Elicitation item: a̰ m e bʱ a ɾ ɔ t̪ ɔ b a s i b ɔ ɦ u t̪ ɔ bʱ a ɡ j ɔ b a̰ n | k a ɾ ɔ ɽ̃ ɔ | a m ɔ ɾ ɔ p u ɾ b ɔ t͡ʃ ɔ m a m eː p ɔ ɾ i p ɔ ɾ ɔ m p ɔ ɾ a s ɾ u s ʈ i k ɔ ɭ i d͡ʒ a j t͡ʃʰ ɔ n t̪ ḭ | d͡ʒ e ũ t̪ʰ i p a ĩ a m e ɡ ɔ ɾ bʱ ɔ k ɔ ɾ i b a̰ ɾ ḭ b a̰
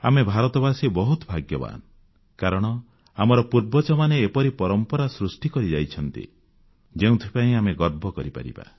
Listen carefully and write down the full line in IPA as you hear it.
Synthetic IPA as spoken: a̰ m e bʱ a ɾ ɔ t̪ ɔ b a s i b ɔ ɦ u t̪ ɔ bʱ a ɡ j ɔ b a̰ n | k a ɾ ɔ ɽ̃ ɔ | a m ɔ ɾ ɔ p u ɾ b ɔ t͡ʃ ɔ m a n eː p ɔ ɾ i p ɔ ɾ ɔ m p ɔ ɾ a s ɾ u s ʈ i k ɔ ɾ i d͡ʒ a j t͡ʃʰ ɔ n t̪ ḭ | d͡ʒ e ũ t̪ʰ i p a ĩ a m e ɡ ɔ ɾ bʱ ɔ k ɔ ɾ i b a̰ ɾ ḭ b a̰

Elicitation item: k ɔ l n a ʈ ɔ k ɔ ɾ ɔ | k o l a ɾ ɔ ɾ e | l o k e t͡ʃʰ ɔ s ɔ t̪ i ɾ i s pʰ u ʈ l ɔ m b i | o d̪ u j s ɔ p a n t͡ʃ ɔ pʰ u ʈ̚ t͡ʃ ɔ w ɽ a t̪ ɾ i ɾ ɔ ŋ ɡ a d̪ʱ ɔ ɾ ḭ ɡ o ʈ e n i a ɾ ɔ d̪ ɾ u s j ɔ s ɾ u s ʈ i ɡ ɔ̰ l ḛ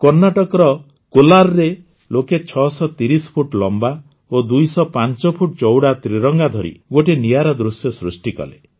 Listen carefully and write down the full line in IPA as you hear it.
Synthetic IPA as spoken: k ɔ ɾ n a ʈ ɔ k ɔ ɾ ɔ | k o l a ɾ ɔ ɾ e | l o k e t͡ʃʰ ɔ s ɔ t̪ i ɾ i s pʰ u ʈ l ɔ m b a | o d̪ u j s ɔ p a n t͡ʃ ɔ pʰ u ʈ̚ t͡ʃ ɔ w ɽ a t̪ ɾ i ɾ ɔ ŋ ɡ a d̪ʱ ɔ ɾ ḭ ɡ o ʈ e n i a ɾ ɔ d̪ ɾ u s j ɔ s ɾ u s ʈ i k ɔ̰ l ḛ

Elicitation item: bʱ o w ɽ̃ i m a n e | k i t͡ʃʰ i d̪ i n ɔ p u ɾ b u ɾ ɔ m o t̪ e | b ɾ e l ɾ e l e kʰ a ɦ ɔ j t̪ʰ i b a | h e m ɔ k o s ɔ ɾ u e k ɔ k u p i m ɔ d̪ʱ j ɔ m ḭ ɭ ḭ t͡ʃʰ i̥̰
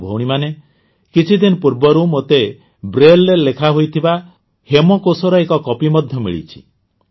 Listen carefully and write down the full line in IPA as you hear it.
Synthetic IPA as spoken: bʱ o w ɽ̃ i m a n e | k i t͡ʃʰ i d̪ i n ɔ p u ɾ b ɔ ɾ u m o t̪ e | b ɾ e l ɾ e l e kʰ a ɦ o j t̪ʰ i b a | h e m ɔ k o s ɔ ɾ ɔ e k ɔ k ɔ p i m ɔ d̪ʱ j ɔ m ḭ ɭ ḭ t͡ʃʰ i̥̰

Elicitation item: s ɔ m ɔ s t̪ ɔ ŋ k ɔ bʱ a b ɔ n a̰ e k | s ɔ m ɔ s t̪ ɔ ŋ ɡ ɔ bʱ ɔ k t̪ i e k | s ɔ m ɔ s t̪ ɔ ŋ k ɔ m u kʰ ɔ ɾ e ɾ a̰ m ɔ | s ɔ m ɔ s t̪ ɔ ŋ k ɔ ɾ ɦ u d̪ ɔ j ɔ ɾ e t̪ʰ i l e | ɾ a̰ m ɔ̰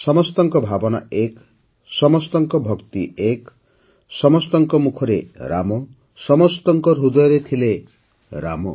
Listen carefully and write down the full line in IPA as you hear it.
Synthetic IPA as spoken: s ɔ m ɔ s t̪ ɔ ŋ k ɔ bʱ a b ɔ n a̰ e k | s ɔ m ɔ s t̪ ɔ ŋ k ɔ bʱ ɔ k t̪ i e k | s ɔ m ɔ s t̪ ɔ ŋ k ɔ m u kʰ ɔ ɾ e ɾ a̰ m ɔ | s ɔ m ɔ s t̪ ɔ ŋ k ɔ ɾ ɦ u d̪ ɔ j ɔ ɾ e t̪ʰ i l e | ɾ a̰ m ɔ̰

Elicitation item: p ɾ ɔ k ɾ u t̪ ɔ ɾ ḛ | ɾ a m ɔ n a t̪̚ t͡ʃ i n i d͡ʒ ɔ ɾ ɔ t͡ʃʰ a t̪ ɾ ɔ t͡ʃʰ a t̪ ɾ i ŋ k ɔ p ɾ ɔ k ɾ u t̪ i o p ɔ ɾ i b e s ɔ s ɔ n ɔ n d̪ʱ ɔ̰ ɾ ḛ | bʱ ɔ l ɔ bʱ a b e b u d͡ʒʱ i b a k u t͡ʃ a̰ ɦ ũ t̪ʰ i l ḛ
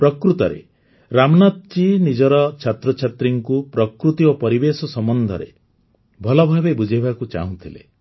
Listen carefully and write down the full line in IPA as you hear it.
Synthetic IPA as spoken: p ɾ ɔ k ɾ u t̪ ɔ ɾ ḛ | ɾ a m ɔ n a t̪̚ t͡ʃ i n i d͡ʒ ɔ ɾ ɔ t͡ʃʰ a t̪ ɾ ɔ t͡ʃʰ a t̪ ɾ i ŋ k u p ɾ ɔ k ɾ u t̪ i o p ɔ ɾ i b e s ɔ s ɔ m ɔ n d̪ʱ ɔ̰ ɾ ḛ | bʱ ɔ l ɔ bʱ a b e b u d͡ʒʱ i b a k u t͡ʃ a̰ ɦ ũ t̪ʰ i l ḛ

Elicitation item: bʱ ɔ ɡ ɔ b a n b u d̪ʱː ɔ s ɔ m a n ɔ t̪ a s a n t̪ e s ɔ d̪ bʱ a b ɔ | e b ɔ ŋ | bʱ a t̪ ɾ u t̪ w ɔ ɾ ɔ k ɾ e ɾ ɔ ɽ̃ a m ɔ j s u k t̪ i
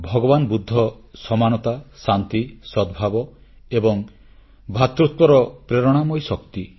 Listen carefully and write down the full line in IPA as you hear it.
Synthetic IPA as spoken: bʱ ɔ ɡ ɔ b a n b u d̪ʱː ɔ s ɔ m a n ɔ t̪ a s a n t̪ i s ɔ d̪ bʱ a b ɔ | e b ɔ ŋ | bʱ a t̪ ɾ u t̪ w ɔ ɾ ɔ p ɾ e ɾ ɔ ɽ̃ a m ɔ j s ɔ k t̪ i

